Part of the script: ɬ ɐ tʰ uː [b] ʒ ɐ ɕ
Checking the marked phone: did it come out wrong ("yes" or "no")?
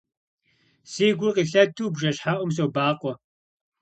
no